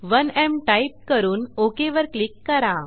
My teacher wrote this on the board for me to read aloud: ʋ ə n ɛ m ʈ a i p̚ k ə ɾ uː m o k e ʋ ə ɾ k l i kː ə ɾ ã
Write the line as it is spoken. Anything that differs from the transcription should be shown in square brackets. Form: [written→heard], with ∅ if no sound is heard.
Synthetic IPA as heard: ʋ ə n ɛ m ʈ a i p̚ k ə ɾ uː [m→n] o k e ʋ ə ɾ k l i kː ə ɾ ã